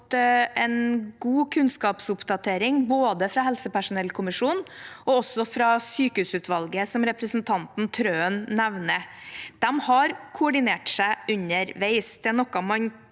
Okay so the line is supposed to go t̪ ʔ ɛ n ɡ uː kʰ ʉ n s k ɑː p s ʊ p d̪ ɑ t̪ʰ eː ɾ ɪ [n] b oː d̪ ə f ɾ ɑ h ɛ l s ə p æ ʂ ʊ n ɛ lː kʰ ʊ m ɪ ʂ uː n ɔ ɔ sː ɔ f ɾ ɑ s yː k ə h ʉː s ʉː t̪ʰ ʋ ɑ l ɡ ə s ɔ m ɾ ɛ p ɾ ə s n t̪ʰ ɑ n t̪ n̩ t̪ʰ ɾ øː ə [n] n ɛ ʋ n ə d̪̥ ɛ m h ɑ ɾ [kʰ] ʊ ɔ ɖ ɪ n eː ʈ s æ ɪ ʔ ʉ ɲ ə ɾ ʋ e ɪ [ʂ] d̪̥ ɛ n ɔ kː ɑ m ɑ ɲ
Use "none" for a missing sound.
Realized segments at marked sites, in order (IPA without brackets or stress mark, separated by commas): ŋ, n, kʰ, s